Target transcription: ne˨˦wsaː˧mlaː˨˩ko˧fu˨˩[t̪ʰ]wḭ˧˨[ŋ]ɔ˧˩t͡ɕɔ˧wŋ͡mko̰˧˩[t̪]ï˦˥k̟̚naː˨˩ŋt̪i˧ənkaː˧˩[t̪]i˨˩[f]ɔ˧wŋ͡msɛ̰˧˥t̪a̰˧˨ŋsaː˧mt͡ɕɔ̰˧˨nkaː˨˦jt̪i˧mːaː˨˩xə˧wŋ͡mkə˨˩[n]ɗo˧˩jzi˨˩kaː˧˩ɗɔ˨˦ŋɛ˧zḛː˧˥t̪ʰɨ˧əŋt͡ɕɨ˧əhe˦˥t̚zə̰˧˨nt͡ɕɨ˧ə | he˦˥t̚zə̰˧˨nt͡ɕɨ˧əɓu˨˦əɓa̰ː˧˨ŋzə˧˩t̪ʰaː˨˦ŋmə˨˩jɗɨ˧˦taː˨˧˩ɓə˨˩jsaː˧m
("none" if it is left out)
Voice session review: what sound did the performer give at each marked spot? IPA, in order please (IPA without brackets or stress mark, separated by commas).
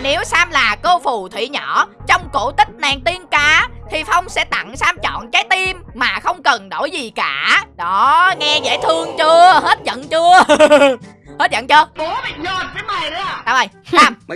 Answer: t̪ʰ, ɲ, t̪, t̪ʰ, f, n